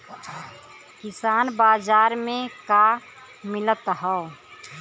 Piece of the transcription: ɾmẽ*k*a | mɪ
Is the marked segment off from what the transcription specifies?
no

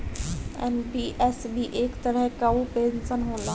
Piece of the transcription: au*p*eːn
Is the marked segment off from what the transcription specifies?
no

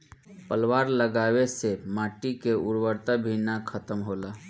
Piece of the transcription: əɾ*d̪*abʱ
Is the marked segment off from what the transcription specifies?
yes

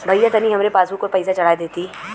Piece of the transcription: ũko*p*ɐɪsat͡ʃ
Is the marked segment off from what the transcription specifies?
no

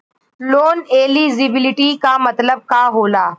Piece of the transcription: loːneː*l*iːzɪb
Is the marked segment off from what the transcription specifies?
no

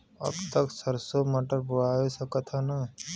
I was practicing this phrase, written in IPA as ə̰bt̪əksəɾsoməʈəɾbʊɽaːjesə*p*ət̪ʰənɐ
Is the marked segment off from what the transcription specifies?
yes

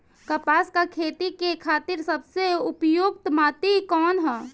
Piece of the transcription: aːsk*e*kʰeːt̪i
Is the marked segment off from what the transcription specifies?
yes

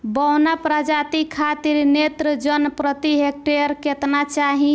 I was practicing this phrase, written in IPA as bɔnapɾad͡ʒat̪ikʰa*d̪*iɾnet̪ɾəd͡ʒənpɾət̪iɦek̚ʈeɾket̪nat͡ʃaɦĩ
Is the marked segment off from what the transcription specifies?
yes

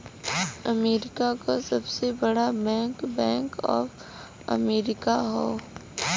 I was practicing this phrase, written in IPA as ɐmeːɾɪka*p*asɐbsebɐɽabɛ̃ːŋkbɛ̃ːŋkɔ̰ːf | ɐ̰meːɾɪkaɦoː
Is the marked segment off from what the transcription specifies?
yes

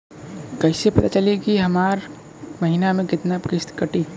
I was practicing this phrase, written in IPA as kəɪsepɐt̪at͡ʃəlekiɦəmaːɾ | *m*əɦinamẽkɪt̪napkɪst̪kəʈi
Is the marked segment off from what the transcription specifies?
no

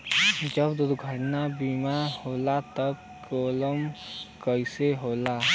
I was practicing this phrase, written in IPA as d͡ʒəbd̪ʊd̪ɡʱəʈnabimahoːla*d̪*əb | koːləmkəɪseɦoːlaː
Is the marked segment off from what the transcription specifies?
yes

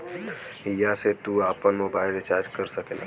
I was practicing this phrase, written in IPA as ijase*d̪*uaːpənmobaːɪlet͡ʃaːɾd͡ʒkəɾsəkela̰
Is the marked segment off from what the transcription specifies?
yes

